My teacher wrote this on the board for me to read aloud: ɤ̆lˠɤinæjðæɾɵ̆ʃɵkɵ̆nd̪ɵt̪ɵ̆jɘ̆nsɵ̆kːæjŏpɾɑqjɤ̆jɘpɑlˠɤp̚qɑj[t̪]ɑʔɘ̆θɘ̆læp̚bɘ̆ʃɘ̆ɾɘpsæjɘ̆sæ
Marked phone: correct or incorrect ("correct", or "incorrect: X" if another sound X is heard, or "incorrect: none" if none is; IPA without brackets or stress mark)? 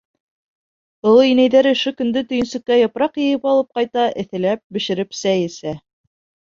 correct